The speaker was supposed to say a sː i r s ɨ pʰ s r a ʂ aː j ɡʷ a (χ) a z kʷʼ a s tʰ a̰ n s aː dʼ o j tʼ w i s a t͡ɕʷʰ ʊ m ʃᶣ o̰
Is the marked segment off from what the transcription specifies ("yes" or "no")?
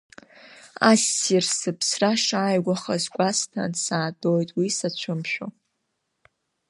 no